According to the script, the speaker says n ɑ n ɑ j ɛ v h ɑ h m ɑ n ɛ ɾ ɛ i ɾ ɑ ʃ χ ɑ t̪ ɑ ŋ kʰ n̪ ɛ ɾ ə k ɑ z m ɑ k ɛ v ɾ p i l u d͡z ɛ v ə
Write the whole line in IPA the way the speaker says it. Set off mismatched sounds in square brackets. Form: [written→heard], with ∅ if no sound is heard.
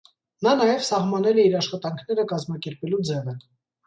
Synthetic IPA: n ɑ n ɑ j ɛ v [h→s] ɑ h m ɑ n ɛ [ɾ→l] ɛ i ɾ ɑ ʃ χ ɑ t̪ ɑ ŋ kʰ n̪ ɛ ɾ ə k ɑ z m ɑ k ɛ [v→∅] ɾ p [i→ɛ] l u d͡z ɛ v ə